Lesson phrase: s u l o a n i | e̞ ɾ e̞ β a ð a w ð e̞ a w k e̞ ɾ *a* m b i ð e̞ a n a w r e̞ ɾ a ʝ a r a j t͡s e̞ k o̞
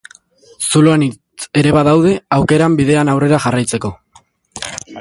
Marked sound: correct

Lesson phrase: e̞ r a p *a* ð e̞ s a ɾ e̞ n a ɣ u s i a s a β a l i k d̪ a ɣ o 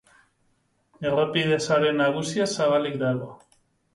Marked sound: incorrect: i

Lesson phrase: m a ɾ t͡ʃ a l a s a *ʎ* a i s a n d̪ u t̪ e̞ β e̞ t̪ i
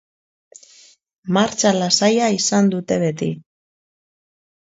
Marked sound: incorrect: j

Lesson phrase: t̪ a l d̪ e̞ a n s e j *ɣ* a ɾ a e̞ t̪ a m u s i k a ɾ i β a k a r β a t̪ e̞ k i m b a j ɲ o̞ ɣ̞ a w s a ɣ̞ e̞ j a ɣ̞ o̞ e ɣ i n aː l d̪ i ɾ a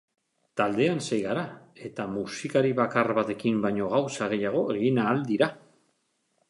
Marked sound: correct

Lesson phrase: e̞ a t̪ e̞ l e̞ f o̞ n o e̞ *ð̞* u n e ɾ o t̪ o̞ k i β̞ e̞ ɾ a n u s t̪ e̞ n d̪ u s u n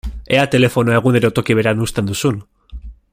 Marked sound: incorrect: ɣ̞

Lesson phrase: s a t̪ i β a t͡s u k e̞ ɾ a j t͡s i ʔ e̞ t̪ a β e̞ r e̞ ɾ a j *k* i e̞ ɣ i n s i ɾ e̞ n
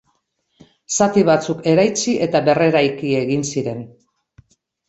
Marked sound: correct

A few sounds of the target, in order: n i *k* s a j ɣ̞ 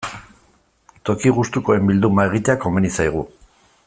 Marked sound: incorrect: none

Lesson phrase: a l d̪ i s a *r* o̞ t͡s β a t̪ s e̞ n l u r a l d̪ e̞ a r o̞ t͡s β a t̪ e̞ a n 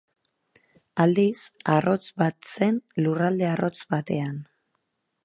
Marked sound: correct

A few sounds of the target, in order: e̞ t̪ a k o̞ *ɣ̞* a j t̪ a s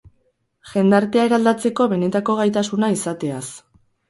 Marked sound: correct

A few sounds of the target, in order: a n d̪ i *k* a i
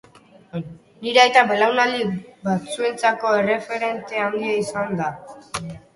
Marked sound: incorrect: none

